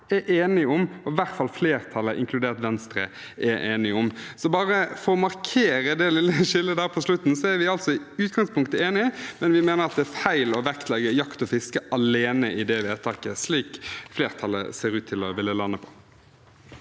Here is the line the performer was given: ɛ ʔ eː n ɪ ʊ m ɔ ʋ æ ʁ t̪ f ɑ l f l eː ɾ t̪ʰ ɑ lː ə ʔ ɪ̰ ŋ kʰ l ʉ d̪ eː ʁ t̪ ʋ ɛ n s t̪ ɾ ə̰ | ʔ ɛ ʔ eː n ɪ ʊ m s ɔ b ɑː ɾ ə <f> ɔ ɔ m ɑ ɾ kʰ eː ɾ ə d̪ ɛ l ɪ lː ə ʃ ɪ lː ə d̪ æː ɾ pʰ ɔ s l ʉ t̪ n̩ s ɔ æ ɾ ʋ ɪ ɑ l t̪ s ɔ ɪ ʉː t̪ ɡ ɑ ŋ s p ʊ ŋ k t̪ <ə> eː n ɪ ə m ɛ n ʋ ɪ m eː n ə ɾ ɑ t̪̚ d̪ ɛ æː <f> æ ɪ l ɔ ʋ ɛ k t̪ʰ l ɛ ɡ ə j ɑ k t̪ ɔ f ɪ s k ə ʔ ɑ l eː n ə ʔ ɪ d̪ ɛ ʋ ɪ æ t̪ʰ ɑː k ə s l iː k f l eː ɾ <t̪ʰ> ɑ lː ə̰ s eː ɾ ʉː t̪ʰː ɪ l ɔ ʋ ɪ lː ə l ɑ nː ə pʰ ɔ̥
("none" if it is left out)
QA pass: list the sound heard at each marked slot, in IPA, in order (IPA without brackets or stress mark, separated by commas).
f, ə, f, t̪ʰ